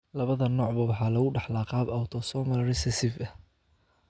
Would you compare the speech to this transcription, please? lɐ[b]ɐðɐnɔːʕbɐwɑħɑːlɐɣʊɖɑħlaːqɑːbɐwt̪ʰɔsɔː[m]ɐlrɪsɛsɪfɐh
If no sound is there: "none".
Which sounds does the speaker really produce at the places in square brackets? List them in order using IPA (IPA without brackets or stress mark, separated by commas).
β, m